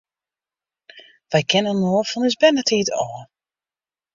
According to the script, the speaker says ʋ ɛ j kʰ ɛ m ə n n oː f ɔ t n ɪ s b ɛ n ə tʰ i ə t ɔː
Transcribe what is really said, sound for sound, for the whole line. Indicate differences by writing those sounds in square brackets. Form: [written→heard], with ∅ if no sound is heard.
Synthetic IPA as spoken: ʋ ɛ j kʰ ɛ [m→n] ə n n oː f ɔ [t→∅] n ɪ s b ɛ n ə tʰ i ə t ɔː